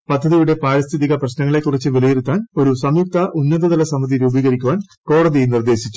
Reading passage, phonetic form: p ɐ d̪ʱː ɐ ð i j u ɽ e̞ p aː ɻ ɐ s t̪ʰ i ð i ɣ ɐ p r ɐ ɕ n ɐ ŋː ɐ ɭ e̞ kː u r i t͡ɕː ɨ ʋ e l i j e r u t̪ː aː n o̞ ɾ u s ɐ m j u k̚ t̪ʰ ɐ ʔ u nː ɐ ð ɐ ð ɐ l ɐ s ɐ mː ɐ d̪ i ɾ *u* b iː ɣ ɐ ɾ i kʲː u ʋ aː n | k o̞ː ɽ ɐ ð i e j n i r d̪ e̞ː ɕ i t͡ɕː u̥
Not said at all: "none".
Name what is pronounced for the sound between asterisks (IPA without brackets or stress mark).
uː